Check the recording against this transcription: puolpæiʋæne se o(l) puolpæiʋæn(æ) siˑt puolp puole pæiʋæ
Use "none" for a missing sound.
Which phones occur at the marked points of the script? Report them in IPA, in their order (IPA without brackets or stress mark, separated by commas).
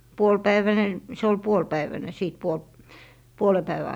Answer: l, e